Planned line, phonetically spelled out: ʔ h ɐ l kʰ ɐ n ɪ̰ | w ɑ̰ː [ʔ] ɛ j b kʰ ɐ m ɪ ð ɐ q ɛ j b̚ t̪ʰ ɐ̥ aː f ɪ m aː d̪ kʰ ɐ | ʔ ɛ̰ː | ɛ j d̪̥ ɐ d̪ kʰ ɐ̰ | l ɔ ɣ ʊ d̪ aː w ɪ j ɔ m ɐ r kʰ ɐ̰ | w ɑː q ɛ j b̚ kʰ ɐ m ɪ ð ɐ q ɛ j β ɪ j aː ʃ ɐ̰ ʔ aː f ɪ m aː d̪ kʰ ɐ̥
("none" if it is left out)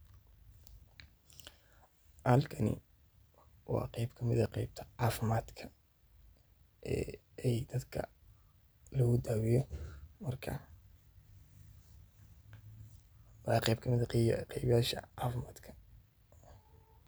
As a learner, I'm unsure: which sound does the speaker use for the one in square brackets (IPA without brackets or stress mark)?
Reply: q